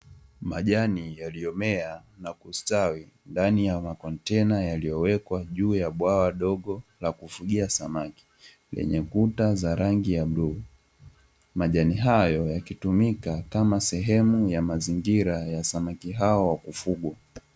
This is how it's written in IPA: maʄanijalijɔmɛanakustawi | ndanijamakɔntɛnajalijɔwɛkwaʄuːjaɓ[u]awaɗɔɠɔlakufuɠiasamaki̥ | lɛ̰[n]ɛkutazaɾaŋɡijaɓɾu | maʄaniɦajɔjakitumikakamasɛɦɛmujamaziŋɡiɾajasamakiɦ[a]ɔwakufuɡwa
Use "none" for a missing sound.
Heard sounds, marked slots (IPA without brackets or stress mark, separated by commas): w, ɲ, a